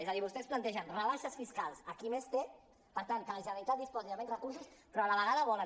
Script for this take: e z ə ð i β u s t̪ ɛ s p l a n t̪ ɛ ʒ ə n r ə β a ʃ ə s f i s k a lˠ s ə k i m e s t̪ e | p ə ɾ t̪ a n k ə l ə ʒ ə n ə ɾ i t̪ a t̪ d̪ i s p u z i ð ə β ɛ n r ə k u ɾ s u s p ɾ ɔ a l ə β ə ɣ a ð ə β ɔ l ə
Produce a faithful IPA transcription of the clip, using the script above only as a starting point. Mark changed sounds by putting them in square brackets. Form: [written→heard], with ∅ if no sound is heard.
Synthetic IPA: e z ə ð i β u s t̪ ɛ s p l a n t̪ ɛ ʒ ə n r ə β a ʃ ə s f i s k a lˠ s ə k i m e s t̪ e | p ə ɾ t̪ a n k ə l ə ʒ ə n ə ɾ i t̪ a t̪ d̪ i s p [u→ɔ] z i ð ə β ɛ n r ə k u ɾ s u s p ɾ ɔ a l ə β ə ɣ a ð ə β ɔ l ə